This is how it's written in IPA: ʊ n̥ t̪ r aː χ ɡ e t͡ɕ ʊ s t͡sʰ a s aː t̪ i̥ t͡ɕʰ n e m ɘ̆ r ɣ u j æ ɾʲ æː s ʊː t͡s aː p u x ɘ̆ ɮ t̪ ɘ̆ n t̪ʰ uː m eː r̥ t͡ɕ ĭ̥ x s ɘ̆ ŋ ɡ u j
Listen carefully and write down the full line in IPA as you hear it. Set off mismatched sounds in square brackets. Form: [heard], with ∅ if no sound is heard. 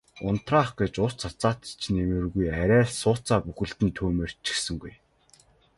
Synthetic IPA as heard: ʊ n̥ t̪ r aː χ ɡ e t͡ɕ ʊ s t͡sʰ a [t͡s] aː t̪ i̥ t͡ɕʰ n e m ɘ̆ r ɣ u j æ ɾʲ æː s ʊː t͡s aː p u x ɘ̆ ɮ t̪ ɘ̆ n t̪ʰ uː m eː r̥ t͡ɕ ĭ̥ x s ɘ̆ ŋ ɡ u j